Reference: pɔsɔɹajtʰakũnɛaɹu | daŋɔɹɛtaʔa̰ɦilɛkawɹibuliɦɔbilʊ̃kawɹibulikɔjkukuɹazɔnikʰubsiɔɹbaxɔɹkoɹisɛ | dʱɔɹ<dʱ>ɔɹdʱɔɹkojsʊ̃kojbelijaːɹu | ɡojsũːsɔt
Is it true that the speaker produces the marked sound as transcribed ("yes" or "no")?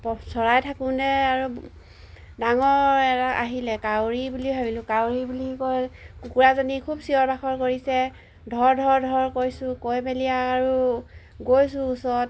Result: yes